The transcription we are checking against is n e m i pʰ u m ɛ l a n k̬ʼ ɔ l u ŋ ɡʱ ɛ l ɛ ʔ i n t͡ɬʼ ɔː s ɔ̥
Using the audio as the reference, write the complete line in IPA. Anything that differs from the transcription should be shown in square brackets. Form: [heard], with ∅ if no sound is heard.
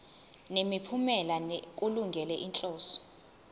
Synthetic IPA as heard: n e m i pʰ u m ɛ l a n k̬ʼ [u] l u ŋ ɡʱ ɛ l ɛ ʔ i n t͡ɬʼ ɔː s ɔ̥

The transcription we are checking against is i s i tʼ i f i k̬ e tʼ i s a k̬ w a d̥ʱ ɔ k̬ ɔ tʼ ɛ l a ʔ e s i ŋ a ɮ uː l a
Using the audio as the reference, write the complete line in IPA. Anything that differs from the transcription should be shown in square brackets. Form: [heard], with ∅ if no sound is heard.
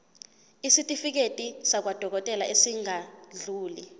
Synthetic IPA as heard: i s i tʼ i f i k̬ e tʼ i s a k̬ w a d̥ʱ ɔ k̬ ɔ tʼ ɛ l a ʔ e s i ŋ a ɮ uː l [i]

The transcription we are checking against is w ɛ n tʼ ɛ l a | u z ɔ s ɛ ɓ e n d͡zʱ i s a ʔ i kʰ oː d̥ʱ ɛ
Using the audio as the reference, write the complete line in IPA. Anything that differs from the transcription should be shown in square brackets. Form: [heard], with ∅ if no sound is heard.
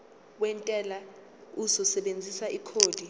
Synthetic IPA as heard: w ɛ n tʼ ɛ l a | u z ɔ s ɛ ɓ e n d͡zʱ i s a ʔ i kʰ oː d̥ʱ [i]

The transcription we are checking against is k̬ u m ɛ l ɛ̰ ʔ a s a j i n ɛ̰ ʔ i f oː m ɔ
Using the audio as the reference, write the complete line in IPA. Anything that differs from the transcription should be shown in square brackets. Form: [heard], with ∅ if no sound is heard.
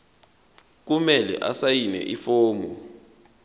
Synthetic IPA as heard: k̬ u m ɛ l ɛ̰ ʔ a s a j i n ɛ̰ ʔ i f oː m ɔ

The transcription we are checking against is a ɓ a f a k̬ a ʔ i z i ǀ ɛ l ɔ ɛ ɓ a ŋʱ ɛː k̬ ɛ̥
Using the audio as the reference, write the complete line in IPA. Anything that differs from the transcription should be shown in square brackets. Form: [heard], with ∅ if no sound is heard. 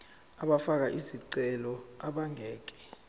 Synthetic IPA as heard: a ɓ a f a k̬ a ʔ i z i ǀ ɛ l ɔ [a] ɓ a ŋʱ ɛː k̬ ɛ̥

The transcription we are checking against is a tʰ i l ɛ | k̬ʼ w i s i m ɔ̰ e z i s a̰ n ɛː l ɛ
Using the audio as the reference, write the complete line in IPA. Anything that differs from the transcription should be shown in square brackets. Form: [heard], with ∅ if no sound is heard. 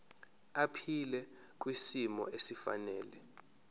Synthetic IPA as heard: a [pʰ] i l ɛ | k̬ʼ w i s i m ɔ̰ e [s] i [f] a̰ n ɛː l ɛ

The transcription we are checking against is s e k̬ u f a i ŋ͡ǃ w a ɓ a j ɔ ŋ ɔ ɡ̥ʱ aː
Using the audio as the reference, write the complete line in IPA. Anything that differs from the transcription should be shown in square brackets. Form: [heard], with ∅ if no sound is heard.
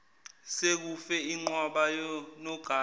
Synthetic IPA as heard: s e k̬ u f [ɛ] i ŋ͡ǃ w a ɓ a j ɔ [n] ɔ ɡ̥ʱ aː

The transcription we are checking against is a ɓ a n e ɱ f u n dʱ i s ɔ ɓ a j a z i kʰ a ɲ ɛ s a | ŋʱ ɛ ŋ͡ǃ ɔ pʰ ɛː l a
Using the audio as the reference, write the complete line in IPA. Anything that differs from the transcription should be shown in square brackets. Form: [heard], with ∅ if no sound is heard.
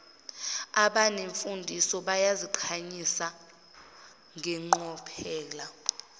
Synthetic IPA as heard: a ɓ a n e ɱ f u n dʱ i s ɔ ɓ a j a z i [ǃʰ] a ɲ [i] s a | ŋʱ ɛ ŋ͡ǃ ɔ pʰ ɛː l a

